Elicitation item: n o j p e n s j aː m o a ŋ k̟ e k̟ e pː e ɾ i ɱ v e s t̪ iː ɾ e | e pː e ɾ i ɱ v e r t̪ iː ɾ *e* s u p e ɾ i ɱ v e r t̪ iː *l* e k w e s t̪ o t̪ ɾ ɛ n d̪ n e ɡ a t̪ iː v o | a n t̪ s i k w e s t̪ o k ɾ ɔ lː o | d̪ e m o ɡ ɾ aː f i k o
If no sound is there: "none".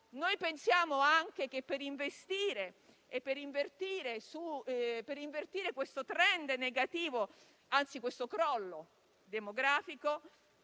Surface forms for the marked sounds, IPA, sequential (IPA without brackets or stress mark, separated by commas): e, ɾ